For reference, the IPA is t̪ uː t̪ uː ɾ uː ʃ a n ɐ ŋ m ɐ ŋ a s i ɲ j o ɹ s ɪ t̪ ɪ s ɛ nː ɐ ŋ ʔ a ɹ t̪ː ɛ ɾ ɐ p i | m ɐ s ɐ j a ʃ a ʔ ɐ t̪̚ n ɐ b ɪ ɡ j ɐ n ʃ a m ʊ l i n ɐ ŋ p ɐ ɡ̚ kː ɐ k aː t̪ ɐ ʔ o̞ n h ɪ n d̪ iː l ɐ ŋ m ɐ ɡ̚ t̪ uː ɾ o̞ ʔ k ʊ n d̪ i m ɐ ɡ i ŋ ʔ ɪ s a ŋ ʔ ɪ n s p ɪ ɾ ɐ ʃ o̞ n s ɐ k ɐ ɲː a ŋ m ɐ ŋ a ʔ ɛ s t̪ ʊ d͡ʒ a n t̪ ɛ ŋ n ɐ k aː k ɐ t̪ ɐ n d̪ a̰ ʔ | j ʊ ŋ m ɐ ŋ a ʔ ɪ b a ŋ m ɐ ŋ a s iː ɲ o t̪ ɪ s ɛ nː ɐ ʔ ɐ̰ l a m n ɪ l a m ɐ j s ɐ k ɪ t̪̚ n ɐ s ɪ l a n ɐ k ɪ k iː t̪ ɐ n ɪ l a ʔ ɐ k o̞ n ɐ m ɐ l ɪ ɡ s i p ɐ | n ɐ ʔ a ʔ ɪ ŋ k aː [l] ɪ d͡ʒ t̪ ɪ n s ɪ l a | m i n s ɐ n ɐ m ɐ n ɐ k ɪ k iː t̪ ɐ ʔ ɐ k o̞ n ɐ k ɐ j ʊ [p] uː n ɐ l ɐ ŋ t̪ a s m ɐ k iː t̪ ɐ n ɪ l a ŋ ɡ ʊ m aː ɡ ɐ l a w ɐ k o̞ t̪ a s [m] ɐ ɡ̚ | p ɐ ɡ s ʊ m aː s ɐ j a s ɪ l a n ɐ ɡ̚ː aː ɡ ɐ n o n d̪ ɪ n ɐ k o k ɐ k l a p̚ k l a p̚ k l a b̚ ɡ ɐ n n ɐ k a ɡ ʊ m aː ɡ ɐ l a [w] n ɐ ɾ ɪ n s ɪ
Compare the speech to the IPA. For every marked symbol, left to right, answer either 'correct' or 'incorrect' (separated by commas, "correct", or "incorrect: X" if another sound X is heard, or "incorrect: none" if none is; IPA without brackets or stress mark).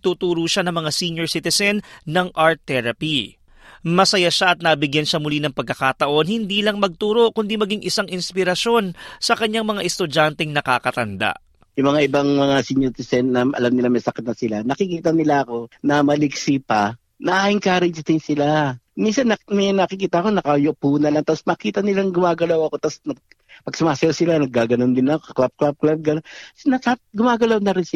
incorrect: ɾ, correct, incorrect: n, correct